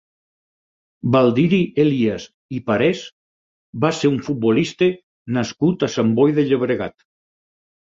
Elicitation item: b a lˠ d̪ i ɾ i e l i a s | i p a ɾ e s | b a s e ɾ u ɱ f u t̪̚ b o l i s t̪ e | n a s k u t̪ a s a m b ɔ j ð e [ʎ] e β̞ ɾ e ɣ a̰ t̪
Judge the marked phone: correct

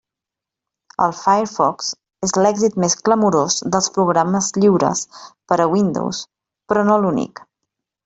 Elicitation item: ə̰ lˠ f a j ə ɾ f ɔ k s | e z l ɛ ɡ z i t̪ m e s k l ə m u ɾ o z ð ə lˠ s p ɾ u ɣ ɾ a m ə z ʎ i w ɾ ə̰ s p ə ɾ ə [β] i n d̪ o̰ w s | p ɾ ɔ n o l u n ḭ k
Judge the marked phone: incorrect: w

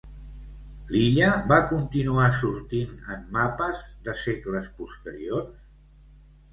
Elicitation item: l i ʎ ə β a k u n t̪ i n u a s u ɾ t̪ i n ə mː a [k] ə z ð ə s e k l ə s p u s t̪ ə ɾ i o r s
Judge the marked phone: incorrect: p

